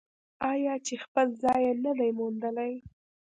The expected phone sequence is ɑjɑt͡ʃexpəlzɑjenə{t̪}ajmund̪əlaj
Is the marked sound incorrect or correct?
incorrect: d̪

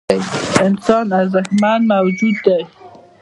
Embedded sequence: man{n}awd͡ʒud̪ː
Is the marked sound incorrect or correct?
incorrect: m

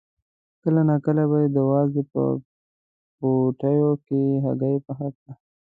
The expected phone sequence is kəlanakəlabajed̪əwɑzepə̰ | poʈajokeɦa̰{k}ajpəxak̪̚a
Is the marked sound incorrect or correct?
incorrect: ɡ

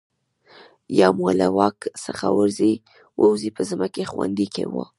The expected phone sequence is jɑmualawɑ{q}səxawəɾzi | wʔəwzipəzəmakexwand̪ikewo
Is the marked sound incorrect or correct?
incorrect: k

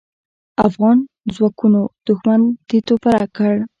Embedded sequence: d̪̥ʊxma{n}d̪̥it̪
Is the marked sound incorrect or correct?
correct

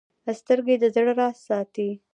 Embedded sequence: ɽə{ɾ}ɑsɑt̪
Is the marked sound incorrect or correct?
correct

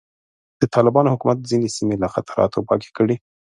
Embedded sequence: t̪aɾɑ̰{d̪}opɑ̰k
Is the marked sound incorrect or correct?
incorrect: t̪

